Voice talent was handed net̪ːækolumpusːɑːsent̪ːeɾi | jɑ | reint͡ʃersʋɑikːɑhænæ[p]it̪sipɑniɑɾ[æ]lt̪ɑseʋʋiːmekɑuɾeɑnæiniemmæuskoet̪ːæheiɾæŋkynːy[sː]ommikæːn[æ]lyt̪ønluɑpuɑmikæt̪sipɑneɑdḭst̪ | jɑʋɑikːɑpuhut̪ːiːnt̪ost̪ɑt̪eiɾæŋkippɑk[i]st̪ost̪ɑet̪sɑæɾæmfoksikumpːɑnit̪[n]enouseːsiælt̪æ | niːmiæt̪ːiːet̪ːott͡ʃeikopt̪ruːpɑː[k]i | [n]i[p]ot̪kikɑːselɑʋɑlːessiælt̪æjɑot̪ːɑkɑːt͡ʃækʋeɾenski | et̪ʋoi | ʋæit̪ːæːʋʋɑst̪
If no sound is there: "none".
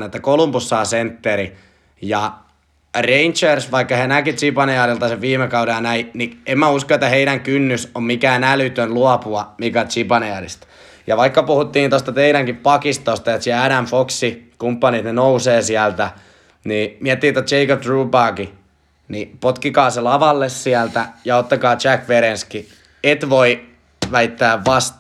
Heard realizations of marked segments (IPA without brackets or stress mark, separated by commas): k, i, s, æ, i, n, k, n, p